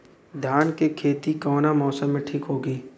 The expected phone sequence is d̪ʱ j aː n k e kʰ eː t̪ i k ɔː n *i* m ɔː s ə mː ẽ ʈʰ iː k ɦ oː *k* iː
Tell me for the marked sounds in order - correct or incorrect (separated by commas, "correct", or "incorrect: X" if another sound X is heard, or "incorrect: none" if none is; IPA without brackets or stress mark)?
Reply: incorrect: a, incorrect: ɡ